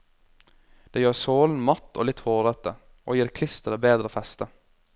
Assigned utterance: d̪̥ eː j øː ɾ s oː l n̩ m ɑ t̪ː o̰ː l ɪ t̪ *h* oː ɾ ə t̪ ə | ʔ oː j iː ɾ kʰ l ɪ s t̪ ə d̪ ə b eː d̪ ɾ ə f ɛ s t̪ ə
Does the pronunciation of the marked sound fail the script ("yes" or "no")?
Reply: no